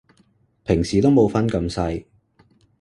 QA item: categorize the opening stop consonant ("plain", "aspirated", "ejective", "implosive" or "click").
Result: aspirated